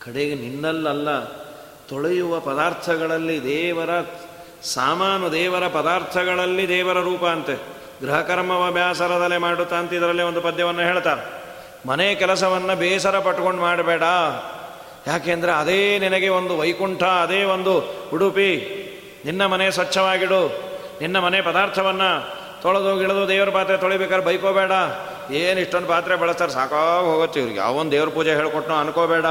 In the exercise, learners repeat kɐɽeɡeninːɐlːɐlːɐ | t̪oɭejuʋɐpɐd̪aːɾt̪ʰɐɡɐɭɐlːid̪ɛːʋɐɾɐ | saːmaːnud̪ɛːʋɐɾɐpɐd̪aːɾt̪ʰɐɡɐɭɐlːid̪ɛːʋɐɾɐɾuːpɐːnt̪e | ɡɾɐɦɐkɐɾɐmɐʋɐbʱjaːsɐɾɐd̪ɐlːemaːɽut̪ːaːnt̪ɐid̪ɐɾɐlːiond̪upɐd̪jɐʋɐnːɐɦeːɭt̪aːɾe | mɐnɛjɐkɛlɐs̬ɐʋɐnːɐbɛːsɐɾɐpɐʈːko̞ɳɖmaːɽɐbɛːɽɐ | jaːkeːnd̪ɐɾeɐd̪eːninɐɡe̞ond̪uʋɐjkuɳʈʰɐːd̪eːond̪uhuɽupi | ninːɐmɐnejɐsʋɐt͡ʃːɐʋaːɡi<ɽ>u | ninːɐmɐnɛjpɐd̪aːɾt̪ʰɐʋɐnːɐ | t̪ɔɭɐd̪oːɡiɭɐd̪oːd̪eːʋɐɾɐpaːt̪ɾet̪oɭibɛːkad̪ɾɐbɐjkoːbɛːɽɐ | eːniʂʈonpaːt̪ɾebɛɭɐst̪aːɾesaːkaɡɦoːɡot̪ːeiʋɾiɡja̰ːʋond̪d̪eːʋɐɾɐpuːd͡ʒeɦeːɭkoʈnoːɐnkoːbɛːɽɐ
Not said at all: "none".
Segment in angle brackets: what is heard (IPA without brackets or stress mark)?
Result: ɽ